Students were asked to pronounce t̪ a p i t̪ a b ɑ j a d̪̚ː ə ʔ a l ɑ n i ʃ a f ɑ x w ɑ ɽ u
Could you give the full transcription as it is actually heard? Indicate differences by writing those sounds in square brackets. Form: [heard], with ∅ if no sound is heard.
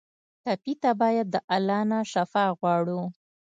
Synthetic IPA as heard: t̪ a p i t̪ a b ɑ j a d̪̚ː ə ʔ a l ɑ n [a] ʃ a f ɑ [ɣ] w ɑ ɽ u